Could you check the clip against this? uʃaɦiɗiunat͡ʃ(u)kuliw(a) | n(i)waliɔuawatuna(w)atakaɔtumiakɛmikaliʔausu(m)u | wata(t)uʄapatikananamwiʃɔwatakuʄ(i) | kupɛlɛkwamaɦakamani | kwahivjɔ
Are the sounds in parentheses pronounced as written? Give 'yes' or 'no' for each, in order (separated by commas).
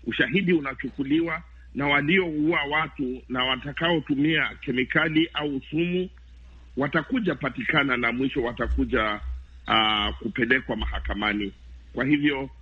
yes, yes, no, yes, yes, no, no